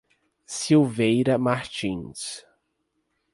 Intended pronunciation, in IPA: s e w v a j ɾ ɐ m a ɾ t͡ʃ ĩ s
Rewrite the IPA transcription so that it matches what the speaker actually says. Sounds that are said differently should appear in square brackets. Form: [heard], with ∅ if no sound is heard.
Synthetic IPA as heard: s [i] w v [e] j ɾ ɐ m a ɾ t͡ʃ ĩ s